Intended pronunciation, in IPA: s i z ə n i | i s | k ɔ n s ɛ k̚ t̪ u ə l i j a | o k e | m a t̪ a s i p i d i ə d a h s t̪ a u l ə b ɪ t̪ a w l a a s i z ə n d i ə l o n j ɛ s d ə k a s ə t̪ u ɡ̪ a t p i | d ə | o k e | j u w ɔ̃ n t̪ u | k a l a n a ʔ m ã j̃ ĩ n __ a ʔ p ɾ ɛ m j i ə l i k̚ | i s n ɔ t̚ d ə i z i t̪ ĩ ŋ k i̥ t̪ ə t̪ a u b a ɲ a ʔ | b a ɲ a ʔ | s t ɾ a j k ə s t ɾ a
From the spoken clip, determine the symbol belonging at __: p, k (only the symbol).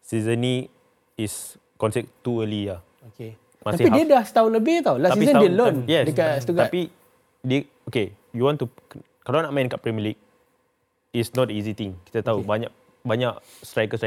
k